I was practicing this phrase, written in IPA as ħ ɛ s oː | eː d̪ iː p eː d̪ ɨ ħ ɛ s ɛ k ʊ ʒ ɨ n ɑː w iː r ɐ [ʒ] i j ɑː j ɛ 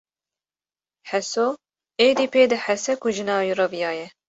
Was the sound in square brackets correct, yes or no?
no